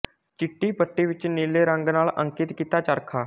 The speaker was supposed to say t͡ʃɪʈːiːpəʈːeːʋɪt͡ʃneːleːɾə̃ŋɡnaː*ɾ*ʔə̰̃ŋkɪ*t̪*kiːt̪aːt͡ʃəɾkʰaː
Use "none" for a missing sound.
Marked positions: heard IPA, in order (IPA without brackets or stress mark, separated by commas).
l, t̪